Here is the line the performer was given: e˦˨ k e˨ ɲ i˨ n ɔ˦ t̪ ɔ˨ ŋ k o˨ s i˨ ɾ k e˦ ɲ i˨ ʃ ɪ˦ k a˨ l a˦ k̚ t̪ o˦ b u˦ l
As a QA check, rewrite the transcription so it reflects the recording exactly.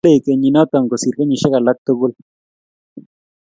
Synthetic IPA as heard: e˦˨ k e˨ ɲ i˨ n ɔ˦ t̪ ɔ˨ ŋ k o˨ s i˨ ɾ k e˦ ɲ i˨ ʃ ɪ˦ k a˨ l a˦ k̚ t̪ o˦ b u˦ l